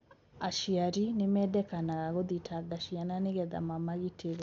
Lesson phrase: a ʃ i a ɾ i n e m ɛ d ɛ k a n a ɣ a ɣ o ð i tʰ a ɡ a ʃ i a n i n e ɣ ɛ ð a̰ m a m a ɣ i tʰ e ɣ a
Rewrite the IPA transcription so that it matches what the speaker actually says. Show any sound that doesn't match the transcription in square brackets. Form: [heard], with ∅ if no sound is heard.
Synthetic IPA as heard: a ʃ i a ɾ i n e m ɛ d ɛ k a n a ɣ a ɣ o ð i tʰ a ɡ a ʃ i a n [a] n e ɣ ɛ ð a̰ m a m a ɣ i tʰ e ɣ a